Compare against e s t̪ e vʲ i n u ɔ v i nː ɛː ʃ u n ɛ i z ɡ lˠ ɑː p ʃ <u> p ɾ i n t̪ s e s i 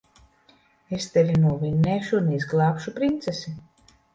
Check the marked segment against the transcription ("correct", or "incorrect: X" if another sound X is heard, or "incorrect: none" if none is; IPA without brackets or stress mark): correct